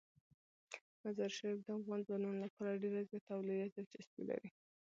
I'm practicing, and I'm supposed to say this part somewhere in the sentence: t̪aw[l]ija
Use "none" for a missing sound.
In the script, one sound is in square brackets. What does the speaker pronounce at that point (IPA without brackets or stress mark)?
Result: l